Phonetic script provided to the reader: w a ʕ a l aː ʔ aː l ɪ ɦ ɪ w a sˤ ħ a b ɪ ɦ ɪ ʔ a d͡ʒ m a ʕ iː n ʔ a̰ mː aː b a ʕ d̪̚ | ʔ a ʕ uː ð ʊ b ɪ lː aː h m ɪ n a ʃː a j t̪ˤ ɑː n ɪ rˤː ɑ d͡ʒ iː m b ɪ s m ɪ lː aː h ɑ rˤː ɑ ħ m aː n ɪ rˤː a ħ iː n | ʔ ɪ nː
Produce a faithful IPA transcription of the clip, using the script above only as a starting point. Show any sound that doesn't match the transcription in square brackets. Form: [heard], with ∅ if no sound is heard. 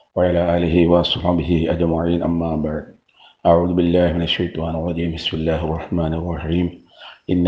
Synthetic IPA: w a ʕ a l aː ʔ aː l ɪ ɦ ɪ w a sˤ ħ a b ɪ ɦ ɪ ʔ a d͡ʒ m a ʕ iː n ʔ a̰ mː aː b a ʕ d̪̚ | ʔ a ʕ uː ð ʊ b ɪ lː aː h m ɪ n a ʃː a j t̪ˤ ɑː n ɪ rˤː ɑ d͡ʒ iː m b ɪ s m ɪ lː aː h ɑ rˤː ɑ ħ m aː n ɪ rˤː [ɑ] ħ iː [m] | ʔ ɪ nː